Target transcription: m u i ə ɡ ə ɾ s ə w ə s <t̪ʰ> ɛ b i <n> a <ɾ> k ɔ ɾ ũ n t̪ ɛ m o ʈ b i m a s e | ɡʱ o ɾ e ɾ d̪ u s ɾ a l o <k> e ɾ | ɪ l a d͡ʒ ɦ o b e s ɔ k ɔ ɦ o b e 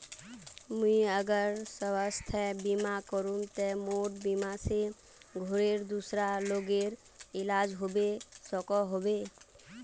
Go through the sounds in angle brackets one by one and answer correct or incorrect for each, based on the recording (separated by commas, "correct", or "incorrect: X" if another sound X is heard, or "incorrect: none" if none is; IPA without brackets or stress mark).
correct, incorrect: m, incorrect: none, incorrect: ɡ